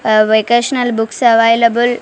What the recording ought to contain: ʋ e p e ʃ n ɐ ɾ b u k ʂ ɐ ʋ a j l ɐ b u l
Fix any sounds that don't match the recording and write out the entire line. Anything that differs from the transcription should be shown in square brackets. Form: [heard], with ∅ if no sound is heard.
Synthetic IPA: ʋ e [k] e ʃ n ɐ [l] b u k [s] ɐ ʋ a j l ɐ b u l